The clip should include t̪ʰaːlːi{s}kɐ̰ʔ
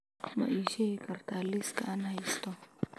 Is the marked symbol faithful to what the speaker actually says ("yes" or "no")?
yes